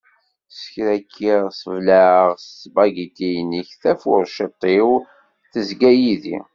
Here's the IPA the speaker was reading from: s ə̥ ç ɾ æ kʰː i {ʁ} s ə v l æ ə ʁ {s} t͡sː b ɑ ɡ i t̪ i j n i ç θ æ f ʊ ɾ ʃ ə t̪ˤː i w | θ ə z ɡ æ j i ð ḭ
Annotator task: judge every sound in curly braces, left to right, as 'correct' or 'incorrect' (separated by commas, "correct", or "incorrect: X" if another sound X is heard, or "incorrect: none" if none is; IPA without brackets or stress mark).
correct, correct